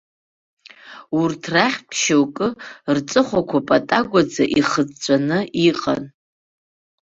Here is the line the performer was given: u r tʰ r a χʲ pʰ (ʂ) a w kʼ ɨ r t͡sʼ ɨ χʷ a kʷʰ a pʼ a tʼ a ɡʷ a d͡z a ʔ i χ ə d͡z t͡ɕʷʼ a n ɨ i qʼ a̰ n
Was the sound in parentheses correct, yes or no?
no